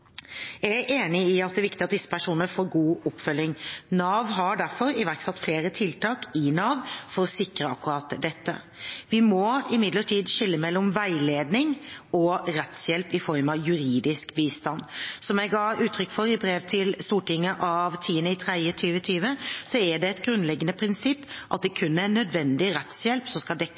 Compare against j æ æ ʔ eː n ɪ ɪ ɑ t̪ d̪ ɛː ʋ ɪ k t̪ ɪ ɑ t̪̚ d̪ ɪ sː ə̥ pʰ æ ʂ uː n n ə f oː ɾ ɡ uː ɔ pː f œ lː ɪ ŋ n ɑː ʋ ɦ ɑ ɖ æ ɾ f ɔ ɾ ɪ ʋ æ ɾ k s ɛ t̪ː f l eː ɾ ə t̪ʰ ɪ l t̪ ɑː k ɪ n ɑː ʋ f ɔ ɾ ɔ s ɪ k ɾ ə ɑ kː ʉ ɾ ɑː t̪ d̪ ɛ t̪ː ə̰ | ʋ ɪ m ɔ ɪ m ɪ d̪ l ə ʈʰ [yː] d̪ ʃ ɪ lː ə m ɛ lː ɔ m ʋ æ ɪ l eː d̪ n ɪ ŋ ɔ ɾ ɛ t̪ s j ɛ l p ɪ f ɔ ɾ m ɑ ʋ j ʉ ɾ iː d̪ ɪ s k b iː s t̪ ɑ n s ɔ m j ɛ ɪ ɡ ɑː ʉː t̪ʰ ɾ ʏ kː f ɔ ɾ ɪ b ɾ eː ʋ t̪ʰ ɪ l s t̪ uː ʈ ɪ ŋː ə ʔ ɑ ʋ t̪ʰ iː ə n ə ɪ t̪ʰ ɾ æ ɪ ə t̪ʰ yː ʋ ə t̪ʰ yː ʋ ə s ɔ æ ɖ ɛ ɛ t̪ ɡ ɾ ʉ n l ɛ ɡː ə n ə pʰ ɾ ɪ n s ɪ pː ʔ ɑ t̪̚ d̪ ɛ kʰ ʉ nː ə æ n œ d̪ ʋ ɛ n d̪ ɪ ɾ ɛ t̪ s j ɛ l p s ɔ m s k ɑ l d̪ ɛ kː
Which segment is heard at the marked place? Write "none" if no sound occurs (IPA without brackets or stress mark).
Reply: iː